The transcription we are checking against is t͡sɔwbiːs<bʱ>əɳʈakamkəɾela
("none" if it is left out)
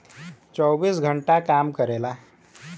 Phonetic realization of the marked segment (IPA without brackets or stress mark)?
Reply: ɡʱ